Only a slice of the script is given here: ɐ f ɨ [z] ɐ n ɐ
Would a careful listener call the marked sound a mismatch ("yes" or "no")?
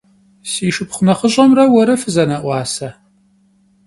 no